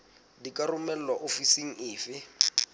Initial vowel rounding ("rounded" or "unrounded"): unrounded